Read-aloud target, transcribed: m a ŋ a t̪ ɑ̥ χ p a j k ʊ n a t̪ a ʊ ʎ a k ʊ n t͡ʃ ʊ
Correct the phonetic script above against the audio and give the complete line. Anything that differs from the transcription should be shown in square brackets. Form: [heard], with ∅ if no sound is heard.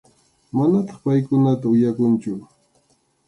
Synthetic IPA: m a [n] a t̪ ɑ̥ χ p a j k ʊ n a t̪ a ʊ [j] a k ʊ n t͡ʃ ʊ